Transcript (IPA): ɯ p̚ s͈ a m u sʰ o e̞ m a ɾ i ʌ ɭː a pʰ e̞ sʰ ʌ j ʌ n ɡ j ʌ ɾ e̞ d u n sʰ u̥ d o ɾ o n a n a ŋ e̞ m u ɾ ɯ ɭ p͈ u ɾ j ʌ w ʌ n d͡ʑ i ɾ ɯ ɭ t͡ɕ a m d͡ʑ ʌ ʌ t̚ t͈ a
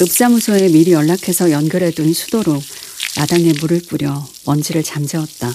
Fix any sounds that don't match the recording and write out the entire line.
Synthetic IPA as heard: ɯ p̚ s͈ a m u sʰ o e̞ m i ɾ i ʌ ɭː a kʰ e̞ sʰ ʌ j ʌ n ɡ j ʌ ɾ e̞ d u n sʰ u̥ d o ɾ o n a d a ŋ e̞ m u ɾ ɯ ɭ p͈ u ɾ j ʌ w ʌ n d͡ʑ i ɾ ɯ ɭ t͡ɕ a m d͡ʑ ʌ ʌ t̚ t͈ a